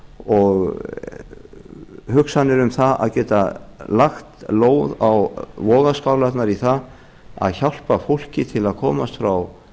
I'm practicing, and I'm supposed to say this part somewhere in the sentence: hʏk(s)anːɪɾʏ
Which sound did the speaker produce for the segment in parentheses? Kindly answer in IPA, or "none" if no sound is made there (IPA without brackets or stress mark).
s